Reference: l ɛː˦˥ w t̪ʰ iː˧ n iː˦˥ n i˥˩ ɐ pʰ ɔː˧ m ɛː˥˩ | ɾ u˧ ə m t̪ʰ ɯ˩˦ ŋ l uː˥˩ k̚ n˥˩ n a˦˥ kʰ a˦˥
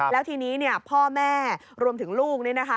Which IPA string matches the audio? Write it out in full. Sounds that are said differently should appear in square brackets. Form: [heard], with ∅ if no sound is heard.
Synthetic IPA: l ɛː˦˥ w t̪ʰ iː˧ n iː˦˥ n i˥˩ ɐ pʰ [ɔː˥˩] m ɛː˥˩ | ɾ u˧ ə m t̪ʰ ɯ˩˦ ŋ l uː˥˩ k̚ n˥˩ n a˦˥ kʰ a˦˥